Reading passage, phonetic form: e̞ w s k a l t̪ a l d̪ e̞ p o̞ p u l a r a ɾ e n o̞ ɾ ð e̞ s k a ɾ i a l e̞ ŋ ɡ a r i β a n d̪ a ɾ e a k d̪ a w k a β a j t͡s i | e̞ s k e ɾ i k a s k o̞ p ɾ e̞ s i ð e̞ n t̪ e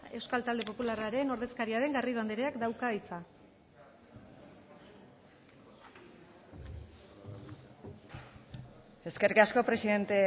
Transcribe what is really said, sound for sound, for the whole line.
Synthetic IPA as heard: e̞ w s k a l t̪ a l d̪ e̞ p o̞ p u l a r a ɾ e n o̞ ɾ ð e̞ s k a ɾ i a ɾ e̞ ŋ ɡ a r i β a n d̪ e ɾ e a k d̪ a w k a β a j t͡s a | e̞ s k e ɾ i k a s k o̞ p ɾ e̞ s i ð e̞ n t̪ e